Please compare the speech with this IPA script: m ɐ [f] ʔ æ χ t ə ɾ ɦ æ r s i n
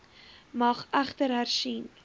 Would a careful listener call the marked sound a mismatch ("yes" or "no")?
yes